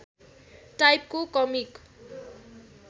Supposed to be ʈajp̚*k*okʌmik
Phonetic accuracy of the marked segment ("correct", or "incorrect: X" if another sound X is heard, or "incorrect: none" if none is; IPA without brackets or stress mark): correct